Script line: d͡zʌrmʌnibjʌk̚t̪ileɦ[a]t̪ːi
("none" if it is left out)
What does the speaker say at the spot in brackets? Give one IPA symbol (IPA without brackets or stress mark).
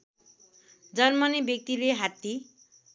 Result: a